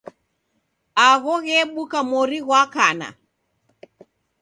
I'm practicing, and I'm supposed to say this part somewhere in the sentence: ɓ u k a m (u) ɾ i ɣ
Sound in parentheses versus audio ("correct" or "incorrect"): incorrect